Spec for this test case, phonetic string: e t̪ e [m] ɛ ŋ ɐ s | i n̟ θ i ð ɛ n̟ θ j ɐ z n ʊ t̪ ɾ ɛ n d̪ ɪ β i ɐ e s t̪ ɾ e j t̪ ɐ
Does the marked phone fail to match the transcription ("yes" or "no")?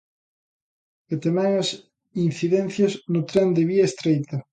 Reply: no